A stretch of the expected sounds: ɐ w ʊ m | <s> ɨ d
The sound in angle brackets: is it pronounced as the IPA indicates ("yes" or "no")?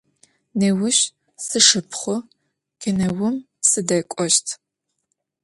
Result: yes